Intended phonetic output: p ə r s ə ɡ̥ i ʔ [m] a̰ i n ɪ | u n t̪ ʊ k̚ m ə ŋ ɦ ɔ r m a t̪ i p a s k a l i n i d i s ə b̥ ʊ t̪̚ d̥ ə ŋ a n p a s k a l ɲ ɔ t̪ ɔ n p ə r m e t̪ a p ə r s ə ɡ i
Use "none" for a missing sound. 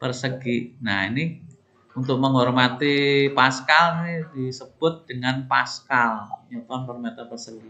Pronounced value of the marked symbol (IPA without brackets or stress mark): n